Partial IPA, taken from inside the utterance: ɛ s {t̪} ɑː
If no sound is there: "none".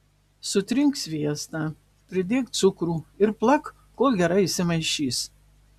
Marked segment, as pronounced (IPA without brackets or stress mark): t̪